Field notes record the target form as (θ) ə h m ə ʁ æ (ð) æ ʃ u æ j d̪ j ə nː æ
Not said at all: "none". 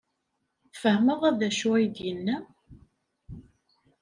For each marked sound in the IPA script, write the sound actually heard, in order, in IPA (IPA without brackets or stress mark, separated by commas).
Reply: f, ð